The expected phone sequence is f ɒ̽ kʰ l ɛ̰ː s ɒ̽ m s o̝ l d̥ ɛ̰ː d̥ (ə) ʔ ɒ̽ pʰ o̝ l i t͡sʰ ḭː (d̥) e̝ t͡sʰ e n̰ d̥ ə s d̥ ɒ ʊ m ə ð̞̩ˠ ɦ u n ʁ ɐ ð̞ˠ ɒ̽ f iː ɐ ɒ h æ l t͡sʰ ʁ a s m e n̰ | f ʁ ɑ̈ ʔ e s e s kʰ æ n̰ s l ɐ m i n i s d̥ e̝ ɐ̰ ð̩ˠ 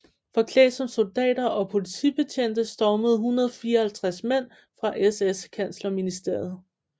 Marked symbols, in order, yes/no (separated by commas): no, no